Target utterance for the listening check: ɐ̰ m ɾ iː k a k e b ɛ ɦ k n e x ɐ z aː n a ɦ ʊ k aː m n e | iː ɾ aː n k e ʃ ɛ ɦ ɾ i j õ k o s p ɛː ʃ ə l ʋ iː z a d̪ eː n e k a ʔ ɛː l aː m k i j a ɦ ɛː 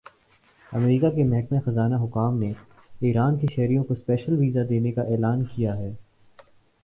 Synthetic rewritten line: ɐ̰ m ɾ iː k a k e m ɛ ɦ k m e x ɐ z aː n a ɦ ʊ k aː m n e | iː ɾ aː n k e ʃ ɛ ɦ ɾ i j õ k o s p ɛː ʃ ə l ʋ iː z a d̪ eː n e k a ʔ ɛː l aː n k i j a ɦ ɛː